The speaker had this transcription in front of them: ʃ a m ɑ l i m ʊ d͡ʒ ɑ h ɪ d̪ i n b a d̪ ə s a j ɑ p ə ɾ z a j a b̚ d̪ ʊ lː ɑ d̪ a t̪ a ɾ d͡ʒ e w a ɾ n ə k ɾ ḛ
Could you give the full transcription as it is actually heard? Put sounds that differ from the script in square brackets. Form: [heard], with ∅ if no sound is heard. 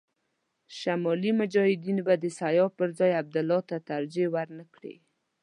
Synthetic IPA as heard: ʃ a m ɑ l i m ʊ d͡ʒ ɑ h ɪ d̪ i n b a d̪ ə s a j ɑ p ə ɾ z [ɑ] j a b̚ d̪ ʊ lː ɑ [t̪] a t̪ a ɾ d͡ʒ e w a ɾ n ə k [ɽ] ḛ